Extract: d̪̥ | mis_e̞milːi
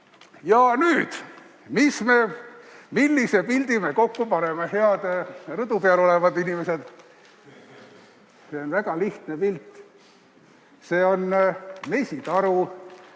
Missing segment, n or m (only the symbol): m